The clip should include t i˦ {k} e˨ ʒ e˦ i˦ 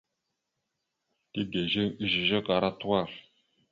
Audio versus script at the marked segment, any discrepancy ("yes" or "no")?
yes